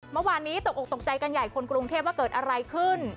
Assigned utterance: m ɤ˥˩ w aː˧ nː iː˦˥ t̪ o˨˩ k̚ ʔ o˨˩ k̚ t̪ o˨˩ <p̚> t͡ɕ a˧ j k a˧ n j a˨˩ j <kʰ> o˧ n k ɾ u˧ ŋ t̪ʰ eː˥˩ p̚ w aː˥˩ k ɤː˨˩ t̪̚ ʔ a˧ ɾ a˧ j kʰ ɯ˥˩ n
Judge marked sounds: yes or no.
no, yes

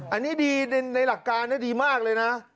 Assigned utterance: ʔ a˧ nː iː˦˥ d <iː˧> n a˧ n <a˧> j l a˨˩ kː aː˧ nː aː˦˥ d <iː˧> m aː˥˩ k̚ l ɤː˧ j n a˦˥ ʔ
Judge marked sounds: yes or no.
yes, yes, yes

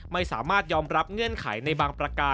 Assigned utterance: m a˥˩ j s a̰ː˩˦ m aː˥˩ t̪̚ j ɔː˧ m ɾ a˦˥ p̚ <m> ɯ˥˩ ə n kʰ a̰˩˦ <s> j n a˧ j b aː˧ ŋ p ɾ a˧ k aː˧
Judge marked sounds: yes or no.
no, no

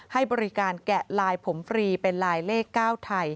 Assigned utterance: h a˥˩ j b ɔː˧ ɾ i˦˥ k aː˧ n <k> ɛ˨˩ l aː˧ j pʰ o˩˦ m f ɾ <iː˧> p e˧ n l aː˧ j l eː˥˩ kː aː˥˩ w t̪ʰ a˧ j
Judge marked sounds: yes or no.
yes, yes

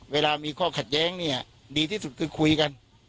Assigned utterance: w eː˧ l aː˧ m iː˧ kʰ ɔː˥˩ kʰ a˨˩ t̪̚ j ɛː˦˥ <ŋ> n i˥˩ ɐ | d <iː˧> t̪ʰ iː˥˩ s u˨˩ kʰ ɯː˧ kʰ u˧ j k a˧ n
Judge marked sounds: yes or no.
yes, yes

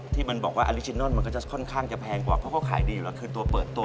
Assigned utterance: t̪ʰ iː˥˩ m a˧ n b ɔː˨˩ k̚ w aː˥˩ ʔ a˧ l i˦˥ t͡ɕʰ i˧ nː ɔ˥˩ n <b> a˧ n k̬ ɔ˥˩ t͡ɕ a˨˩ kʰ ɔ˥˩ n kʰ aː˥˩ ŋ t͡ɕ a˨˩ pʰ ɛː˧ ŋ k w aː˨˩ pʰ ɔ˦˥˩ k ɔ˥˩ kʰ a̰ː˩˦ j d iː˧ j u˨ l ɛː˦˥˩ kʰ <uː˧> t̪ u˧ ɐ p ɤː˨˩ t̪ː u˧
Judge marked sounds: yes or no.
no, no

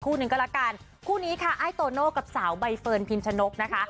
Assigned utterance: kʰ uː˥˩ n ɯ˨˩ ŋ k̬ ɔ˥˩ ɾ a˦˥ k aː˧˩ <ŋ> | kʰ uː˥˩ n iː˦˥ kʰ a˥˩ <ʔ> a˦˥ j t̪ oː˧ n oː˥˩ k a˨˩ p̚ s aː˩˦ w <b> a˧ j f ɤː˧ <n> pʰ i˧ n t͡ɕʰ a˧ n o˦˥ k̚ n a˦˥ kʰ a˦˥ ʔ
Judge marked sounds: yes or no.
no, yes, yes, yes

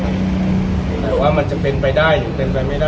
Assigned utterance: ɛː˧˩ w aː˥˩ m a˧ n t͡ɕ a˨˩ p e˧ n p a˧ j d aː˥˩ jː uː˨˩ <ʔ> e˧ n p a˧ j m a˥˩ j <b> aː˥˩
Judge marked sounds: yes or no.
no, no

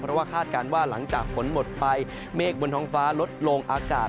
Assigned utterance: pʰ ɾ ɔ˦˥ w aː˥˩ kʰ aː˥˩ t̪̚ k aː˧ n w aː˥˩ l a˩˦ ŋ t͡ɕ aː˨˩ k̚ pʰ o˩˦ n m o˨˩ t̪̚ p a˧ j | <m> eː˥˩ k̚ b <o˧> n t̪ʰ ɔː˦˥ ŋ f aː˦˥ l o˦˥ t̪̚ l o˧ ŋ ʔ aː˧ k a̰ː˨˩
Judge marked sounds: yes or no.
yes, yes

